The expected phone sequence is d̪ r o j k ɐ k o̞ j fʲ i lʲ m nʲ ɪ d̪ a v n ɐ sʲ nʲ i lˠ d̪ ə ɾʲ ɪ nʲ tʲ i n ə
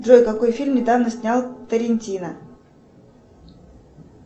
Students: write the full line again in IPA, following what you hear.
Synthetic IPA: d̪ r o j k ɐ k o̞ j fʲ i lʲ m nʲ ɪ d̪ a v n ə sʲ nʲ a lˠ t̪ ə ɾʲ ɪ nʲ tʲ i n ə